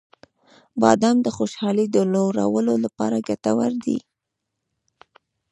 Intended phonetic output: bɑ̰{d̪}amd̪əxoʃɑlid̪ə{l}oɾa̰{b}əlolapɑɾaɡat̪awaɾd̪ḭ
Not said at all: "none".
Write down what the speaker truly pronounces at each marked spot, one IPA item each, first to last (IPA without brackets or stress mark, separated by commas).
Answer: d̪, l, w